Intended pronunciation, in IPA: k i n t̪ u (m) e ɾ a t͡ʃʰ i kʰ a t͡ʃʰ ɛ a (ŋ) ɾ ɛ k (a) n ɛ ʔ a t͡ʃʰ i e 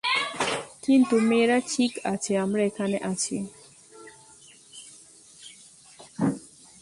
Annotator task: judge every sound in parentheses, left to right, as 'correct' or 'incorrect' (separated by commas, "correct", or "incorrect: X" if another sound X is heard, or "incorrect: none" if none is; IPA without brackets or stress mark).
correct, incorrect: m, correct